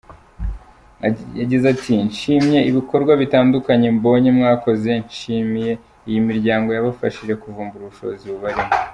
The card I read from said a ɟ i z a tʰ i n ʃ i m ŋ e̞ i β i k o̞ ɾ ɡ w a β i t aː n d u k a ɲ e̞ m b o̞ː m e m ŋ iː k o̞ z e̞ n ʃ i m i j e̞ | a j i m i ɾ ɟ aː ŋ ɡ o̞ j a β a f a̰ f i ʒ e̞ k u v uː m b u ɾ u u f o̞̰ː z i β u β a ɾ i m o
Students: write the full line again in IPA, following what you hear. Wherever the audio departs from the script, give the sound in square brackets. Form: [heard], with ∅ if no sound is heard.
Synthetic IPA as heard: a ɟ i z a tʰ i n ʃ i m [ɲ] e̞ i β i k o̞ ɾ ɡ w a β i t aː n d u k a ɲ e̞ m b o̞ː [ɲ] e m ŋ [aː] k o̞ z e̞ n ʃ i m i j e̞ | [i] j i m i ɾ ɟ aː ŋ ɡ o̞ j a β a f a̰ [ʃ] i ʒ e̞ k u v uː m b u ɾ u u [ʃ] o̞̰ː z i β u β a ɾ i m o